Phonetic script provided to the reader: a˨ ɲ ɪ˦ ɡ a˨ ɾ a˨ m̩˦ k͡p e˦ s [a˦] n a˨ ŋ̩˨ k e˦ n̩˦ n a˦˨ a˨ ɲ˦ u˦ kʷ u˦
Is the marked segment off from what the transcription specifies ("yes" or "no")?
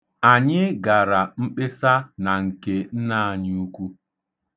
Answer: no